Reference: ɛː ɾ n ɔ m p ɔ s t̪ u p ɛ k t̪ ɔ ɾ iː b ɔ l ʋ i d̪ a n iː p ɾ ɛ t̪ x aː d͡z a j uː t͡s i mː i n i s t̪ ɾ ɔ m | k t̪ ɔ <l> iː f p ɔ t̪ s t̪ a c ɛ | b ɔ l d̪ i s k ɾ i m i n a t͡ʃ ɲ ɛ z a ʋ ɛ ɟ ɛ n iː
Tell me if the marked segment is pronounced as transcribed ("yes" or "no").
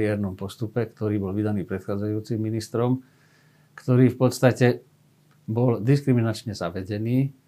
no